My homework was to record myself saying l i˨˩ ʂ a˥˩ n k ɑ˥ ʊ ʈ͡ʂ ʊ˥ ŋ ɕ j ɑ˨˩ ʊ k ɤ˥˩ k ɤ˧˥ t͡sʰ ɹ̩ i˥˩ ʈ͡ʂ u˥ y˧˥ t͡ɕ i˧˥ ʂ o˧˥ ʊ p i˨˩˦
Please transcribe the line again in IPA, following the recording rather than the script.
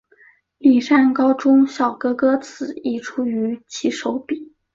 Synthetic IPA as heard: l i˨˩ ʂ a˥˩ n k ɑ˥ ʊ ʈ͡ʂ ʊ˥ ŋ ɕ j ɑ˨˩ ʊ k ɤ˥ k ɤ˥ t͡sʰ ɹ̩ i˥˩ ʈ͡ʂʰ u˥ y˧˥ t͡ɕʰ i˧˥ ʂ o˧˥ ʊ p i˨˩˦